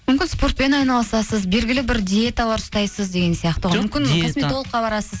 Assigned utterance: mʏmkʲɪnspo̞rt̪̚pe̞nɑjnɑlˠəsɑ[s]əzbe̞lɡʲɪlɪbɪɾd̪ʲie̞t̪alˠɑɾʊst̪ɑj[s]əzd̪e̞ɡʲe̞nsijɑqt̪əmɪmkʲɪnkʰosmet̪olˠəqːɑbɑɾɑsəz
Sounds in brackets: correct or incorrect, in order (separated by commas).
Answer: correct, correct